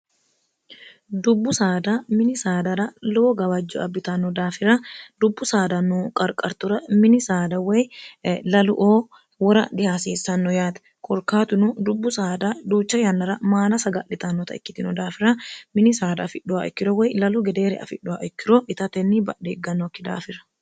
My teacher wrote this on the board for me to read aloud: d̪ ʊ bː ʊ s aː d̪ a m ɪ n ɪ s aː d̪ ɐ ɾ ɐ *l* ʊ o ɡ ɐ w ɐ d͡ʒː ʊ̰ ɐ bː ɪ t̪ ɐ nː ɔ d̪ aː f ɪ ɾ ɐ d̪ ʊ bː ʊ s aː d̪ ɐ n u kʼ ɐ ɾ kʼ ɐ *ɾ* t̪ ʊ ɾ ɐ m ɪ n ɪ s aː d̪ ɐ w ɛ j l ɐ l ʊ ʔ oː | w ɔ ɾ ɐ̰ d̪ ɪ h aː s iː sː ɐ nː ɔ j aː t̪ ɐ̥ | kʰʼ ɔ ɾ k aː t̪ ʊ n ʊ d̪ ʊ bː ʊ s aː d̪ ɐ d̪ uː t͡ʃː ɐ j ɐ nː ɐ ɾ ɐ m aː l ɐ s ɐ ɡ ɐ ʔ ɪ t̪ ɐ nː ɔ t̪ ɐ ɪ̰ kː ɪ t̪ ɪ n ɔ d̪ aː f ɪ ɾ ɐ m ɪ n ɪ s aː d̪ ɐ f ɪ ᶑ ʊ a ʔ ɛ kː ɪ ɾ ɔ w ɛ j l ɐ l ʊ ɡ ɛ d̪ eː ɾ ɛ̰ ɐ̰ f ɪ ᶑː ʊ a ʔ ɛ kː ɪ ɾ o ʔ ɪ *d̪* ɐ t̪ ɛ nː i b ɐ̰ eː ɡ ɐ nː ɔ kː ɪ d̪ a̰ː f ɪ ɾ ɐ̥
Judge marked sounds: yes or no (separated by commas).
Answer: yes, yes, no